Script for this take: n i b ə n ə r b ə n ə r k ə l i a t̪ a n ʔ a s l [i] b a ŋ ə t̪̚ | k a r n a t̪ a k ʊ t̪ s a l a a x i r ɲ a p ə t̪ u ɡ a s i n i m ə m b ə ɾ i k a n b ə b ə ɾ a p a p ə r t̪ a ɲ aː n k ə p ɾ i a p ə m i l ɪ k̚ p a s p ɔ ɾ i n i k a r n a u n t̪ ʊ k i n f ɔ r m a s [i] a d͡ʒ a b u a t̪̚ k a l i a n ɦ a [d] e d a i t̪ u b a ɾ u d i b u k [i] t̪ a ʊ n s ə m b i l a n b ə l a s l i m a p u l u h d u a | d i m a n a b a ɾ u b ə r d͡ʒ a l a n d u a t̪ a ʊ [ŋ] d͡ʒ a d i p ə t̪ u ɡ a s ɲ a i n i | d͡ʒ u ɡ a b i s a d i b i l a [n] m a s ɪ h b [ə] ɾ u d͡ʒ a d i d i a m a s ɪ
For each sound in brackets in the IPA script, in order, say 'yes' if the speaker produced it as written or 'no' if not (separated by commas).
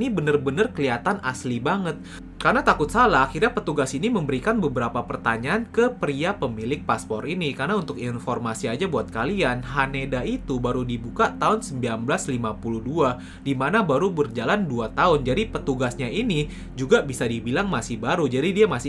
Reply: yes, yes, no, no, no, no, no